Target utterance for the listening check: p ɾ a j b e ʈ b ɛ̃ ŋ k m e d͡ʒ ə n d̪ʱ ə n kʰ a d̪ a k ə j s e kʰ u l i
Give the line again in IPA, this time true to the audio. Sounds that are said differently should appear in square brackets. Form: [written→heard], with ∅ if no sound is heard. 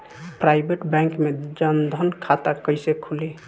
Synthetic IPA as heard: p ɾ a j b e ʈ b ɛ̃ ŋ k m e d͡ʒ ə n d̪ʱ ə n kʰ a [d̪→t̪] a k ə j s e kʰ u l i